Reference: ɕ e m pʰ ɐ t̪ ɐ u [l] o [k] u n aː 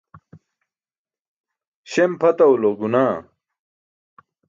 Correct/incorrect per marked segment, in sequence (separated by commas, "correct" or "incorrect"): correct, incorrect